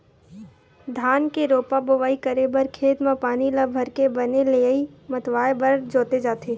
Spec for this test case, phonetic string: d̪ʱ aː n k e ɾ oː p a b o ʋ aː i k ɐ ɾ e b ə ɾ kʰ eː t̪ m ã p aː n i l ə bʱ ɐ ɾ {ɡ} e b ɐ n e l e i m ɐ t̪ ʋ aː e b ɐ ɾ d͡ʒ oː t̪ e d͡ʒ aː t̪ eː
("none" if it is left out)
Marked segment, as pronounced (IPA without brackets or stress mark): k